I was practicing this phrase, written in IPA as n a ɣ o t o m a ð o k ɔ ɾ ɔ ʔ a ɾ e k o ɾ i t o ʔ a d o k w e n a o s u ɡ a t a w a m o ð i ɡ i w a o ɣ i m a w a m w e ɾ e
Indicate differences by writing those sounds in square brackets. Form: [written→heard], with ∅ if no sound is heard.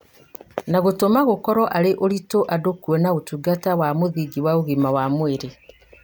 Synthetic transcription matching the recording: n a ɣ o t o m a [ð→ɣ] o k ɔ ɾ ɔ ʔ a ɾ e [k→ʔ] o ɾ i t o ʔ a d o k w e n a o [s→t] u ɡ a t a w a m o ð i ɡ i w a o ɣ i m a w a m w e ɾ e